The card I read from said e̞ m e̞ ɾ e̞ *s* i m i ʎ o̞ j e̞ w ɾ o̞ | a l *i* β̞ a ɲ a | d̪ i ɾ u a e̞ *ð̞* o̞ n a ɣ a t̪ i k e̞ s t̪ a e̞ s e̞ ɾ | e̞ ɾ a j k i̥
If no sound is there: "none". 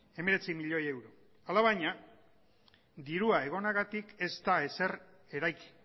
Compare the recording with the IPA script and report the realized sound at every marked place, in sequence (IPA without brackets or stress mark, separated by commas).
t͡s, a, ɣ̞